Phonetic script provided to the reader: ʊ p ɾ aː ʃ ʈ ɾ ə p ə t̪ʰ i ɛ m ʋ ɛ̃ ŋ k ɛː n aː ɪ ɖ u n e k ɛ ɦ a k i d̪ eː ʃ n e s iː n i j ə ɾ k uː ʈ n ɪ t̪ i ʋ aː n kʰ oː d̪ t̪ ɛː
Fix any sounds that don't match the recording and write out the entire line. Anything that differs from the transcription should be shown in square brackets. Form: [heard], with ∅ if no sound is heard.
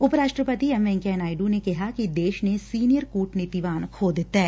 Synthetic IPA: ʊ p ɾ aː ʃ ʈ ɾ ə p ə [t̪] i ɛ m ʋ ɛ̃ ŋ k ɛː n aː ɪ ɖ u n e k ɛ ɦ a k i d̪ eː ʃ n e s iː n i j ə ɾ k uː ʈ n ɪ t̪ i ʋ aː n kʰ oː d̪ t̪ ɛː